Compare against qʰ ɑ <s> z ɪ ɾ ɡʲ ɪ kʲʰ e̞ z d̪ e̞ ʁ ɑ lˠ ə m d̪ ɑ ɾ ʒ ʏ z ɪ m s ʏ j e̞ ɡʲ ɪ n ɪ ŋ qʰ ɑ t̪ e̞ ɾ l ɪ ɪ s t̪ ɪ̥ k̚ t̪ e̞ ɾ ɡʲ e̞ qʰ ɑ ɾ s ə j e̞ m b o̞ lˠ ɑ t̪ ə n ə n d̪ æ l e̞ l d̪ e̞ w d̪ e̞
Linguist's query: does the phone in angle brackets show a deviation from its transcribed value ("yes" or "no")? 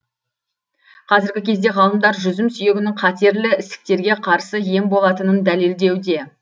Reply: yes